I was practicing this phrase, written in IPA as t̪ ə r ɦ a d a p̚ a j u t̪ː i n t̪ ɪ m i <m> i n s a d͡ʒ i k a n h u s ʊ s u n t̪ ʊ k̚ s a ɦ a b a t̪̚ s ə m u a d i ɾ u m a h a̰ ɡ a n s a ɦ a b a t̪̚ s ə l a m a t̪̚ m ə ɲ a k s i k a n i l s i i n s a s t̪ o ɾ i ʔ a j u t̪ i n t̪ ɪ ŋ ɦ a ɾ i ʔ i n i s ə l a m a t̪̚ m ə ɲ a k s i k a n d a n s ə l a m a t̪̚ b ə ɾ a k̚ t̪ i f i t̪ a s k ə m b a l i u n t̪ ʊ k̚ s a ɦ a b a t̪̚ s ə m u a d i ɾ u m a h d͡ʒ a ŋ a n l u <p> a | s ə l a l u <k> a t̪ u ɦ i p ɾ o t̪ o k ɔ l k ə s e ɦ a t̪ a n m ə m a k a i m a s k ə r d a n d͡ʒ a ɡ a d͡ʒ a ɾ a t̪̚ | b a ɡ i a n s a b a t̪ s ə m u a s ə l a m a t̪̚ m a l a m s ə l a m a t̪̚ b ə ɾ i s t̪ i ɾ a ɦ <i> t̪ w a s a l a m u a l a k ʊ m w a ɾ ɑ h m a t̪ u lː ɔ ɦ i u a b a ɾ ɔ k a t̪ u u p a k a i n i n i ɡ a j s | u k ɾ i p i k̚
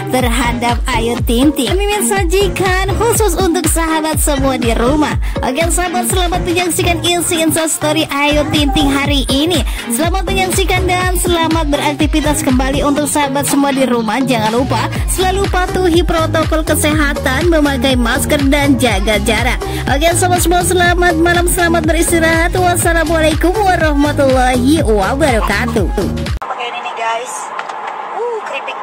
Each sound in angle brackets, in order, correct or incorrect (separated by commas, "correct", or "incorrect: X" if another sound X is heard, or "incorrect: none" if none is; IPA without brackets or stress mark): correct, correct, incorrect: p, incorrect: a